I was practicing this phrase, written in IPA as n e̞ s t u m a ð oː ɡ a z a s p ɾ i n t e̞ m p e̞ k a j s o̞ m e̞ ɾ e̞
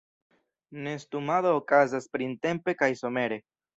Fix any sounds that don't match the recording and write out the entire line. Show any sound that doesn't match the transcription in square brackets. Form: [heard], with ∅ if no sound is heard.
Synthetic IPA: n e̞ s t u m a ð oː [k] a z a s p ɾ i n t e̞ m p e̞ k a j s o̞ m e̞ ɾ e̞